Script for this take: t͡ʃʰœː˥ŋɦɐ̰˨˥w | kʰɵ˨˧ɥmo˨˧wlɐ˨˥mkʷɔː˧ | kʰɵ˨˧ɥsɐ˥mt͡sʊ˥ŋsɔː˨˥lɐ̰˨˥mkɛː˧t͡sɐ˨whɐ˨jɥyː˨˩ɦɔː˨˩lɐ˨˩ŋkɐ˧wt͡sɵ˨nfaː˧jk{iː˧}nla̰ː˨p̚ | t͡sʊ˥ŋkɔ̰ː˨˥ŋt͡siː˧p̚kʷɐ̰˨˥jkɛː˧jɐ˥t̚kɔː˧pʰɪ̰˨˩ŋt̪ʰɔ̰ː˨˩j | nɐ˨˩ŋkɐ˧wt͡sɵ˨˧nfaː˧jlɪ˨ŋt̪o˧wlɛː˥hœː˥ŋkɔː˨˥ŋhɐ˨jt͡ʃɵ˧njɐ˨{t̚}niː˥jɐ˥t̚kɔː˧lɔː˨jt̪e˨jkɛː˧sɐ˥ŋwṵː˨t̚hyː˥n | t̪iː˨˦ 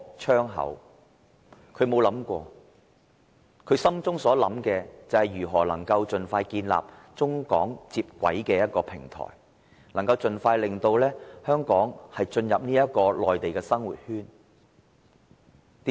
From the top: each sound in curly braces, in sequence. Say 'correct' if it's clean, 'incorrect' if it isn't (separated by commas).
correct, incorrect